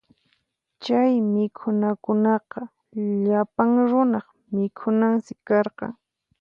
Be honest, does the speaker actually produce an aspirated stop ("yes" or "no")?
yes